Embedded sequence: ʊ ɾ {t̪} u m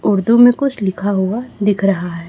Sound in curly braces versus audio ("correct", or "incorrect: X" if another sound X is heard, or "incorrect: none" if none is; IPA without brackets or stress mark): incorrect: d̪